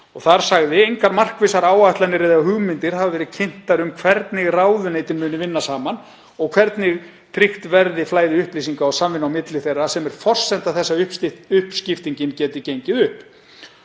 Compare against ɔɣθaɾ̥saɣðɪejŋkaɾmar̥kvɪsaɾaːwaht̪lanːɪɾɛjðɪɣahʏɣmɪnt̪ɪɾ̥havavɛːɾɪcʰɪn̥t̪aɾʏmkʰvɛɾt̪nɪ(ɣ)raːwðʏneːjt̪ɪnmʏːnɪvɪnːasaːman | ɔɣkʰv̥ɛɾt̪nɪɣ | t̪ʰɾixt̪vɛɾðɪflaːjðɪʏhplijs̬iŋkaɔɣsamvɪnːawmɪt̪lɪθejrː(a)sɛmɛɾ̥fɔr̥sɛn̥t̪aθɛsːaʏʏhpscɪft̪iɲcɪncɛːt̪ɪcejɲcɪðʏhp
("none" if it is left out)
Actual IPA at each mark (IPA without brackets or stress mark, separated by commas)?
ɣ, a